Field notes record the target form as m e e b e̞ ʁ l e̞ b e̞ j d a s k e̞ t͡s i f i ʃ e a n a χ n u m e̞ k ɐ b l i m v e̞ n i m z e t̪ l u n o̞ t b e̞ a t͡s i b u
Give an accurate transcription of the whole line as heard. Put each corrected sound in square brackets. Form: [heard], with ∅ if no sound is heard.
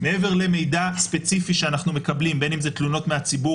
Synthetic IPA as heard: m e e [v] e̞ ʁ l e̞ [m] e̞ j d a s [p] e̞ t͡s i f i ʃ e a n a χ n u m e̞ k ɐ b l i m [b] e̞ n i m z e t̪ l u n o̞ t [m] e̞ a t͡s i b u

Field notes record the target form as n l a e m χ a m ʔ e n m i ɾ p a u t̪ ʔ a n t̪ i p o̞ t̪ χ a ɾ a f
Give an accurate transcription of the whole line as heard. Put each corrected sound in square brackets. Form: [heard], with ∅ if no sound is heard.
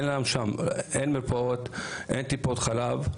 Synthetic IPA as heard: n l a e m [ʃ] a m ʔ e n m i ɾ p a [o] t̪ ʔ [e] n t̪ i p o̞ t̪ χ a [l] a [v]

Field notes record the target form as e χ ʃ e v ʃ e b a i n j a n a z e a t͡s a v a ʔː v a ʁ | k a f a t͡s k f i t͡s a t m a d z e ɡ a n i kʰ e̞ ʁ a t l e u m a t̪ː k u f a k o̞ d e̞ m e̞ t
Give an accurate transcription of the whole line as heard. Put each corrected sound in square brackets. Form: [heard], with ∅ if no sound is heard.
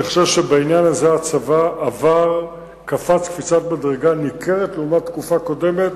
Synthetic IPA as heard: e χ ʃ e v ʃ e b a i n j a n a z e a t͡s a v a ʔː v a ʁ | k a f a t͡s k f i t͡s a t m a d [ʁ] e ɡ a n i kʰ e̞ ʁ [e] t l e u m a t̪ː k u f a k o̞ d e̞ m e̞ t

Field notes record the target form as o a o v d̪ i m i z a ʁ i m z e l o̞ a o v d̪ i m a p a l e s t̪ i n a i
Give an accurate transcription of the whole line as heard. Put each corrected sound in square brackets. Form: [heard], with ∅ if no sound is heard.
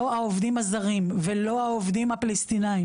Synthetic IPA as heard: o a o v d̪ i m [a] z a ʁ i m [v] e l o̞ a o v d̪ i m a p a l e s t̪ i n a i

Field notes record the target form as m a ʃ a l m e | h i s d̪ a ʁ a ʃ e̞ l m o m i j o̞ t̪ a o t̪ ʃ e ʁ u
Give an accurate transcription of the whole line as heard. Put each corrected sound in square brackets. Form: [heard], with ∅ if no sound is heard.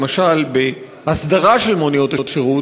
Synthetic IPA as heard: m a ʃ a l [b] e | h [a] s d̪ a ʁ a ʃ e̞ l m o [n] i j o̞ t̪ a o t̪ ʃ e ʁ u

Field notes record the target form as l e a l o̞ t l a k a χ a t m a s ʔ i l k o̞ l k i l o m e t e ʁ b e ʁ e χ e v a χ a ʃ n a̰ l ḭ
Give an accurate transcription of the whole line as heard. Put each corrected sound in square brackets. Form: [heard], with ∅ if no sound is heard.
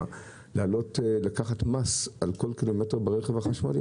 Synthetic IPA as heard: l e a l o̞ t l a k a χ a t m a s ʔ [a] l k o̞ l k i l o m e t e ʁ b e ʁ e χ e v a χ a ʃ [m] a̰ l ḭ

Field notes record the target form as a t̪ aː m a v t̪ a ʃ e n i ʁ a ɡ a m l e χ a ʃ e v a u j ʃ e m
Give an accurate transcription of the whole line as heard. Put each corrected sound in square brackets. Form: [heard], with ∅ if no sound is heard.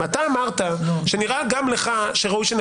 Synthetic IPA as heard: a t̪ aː m a [ʁ] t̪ a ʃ e n i ʁ a ɡ a m l e χ a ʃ e [ʁ] a u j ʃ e [n]

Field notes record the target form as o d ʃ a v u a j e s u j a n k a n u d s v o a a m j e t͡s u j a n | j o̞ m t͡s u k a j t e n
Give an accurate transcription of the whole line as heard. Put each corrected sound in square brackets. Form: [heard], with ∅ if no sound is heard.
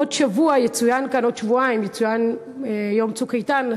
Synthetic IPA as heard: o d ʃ a v u a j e [t͡s] u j a n k a n [o] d [ʃ] v [u] a [i] m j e t͡s u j a n | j o̞ m t͡s u k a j t [a] n

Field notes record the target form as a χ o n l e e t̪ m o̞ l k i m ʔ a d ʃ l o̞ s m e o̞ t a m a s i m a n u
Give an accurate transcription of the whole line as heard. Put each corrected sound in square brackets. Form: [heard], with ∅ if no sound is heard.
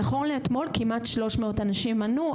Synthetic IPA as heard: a χ o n l e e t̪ m o̞ l k i m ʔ a [t] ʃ l o̞ [ʃ] m e o̞ t a [n] a [ʃ] i m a n u

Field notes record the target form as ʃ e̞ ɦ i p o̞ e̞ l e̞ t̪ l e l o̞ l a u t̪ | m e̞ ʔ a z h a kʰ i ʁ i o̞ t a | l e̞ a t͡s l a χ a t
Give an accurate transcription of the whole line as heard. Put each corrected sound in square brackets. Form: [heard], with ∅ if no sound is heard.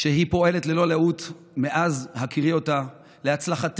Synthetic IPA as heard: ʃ e̞ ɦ i p o̞ e̞ l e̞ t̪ l e l o̞ l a u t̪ | m e̞ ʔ a z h a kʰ i ʁ i o̞ t a | l e̞ a t͡s l a χ a t

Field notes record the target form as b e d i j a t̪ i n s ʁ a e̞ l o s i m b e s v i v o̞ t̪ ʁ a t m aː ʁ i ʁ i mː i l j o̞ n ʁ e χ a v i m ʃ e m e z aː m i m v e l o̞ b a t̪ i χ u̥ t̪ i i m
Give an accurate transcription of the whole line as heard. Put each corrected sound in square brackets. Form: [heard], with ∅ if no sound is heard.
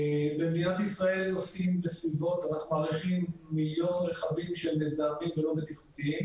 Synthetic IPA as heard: b e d i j a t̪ i [∅] s ʁ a e̞ l o s i m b e s v i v o̞ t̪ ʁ a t m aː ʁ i [χ] i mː i l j o̞ n ʁ e χ a v i m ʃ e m e z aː m i m v e l o̞ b [e] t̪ i χ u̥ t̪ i i m

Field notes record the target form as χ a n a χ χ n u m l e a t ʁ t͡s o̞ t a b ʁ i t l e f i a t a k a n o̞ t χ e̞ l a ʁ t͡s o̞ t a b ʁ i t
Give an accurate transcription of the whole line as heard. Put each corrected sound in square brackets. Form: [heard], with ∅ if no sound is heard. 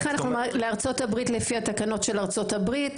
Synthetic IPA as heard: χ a n a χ χ n u m l e a [∅] ʁ t͡s o̞ t a b ʁ i t l e f i a t a k a n o̞ t [ʃ] e̞ l a ʁ t͡s o̞ t a b ʁ i t

